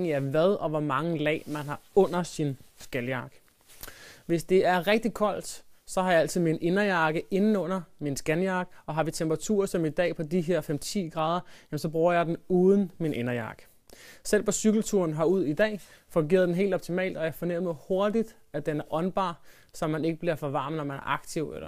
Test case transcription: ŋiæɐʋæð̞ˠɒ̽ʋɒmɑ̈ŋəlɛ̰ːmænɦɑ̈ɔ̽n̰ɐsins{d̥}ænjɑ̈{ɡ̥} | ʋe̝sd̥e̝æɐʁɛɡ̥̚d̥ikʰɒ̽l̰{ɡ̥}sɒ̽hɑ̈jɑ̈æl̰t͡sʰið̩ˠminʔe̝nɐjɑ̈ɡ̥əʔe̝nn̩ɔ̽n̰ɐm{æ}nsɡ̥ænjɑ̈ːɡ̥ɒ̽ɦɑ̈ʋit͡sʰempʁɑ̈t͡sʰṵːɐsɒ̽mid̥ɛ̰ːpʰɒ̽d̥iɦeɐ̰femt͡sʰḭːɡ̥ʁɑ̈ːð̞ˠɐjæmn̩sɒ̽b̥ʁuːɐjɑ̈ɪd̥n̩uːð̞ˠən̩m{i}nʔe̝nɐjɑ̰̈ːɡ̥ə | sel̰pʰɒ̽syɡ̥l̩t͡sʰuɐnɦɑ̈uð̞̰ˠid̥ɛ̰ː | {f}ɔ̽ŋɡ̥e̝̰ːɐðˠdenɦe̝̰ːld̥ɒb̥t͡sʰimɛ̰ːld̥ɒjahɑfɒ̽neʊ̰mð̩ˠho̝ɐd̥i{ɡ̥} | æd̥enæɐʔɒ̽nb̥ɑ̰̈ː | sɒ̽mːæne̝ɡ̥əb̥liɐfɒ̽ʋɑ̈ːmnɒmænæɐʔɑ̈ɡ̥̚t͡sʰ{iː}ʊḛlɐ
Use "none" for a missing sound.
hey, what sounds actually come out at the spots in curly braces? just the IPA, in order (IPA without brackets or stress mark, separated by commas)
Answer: ɡ̥, ɡ̥, d̥, i, i, f, d̥, i